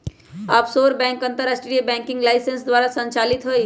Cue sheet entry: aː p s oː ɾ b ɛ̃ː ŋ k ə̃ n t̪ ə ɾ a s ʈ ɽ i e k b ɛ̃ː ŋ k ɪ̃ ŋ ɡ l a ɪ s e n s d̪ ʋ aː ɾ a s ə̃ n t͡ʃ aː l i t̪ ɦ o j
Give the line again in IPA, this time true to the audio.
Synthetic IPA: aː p s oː ɾ b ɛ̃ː ŋ k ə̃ n t̪ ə ɾ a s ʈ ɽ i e b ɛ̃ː ŋ k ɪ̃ ŋ ɡ l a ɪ s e n s d̪ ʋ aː ɾ a s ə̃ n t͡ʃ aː l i t̪ ɦ o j